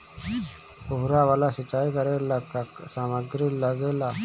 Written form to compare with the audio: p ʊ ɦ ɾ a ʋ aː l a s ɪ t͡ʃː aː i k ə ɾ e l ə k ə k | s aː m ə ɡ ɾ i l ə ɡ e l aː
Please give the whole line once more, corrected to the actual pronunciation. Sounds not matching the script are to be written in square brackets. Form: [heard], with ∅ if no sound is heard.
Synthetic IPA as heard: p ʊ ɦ ɾ a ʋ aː l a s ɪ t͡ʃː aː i k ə ɾ e l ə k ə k | s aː m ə ɡ ɾ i l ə ɡ e l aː